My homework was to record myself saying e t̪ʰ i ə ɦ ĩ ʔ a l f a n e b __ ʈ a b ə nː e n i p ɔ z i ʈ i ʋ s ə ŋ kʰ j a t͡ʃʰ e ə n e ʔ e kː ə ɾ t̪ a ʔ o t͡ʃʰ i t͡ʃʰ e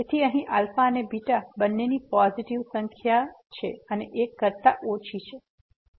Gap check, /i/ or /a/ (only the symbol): i